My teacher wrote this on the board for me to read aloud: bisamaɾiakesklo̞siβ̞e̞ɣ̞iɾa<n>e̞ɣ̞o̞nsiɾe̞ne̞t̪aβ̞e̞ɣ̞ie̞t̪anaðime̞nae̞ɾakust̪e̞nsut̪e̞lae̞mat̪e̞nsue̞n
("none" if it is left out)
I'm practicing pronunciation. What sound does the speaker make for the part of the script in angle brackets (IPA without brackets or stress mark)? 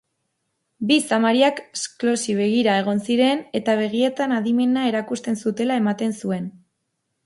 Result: none